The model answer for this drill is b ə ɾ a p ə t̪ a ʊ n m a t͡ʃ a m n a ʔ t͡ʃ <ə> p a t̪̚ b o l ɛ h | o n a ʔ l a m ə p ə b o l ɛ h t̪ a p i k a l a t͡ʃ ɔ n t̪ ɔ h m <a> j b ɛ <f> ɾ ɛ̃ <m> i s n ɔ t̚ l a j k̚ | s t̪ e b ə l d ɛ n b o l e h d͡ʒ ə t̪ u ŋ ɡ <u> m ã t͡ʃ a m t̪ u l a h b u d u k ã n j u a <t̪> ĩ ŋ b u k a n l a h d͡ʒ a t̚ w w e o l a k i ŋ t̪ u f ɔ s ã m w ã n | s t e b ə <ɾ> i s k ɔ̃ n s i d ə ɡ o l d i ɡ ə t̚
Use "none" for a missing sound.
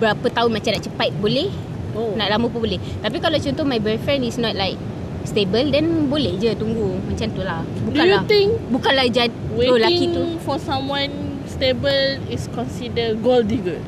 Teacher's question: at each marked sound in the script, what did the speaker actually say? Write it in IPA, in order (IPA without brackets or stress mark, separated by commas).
ə, a, f, n, u, t̪, l